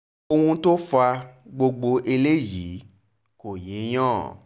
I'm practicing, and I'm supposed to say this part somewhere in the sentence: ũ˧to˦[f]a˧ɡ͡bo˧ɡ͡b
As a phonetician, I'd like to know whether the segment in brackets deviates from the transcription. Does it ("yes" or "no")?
no